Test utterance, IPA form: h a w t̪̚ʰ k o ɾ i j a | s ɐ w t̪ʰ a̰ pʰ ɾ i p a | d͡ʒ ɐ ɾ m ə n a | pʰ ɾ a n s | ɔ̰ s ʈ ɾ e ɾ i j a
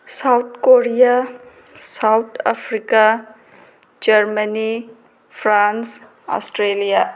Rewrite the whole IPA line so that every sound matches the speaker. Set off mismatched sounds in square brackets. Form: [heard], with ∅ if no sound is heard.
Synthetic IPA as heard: [s] a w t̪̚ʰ k o ɾ i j a | s [a] w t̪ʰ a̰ pʰ ɾ i [k] a | d͡ʒ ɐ ɾ m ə n [i] | pʰ ɾ a n s | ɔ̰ s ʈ ɾ e [l] i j a